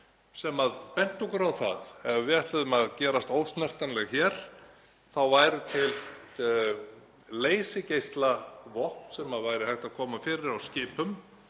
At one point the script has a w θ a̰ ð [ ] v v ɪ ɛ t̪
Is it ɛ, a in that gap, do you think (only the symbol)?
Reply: ɛ